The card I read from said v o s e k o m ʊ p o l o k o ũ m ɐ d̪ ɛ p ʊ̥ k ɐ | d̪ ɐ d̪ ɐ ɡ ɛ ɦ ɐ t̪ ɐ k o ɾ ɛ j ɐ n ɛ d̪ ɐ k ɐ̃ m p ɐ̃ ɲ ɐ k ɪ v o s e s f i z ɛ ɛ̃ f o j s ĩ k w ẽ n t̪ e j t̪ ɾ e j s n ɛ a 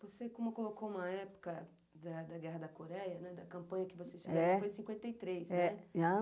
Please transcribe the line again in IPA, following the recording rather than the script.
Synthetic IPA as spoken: v o s e k õ m ʊ k o l o k o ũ m ɐ ɛ p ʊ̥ k ɐ | d̪ ɐ d̪ ɐ ɡ ɛ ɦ ɐ d̪ ɐ k o ɾ ɛ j ɐ n ɛ d̪ ɐ k ɐ̃ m p ɐ̃ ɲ ɐ k ɪ v o s e s f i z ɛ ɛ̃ f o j s ĩ k w ẽ n t̪ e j t̪ ɾ e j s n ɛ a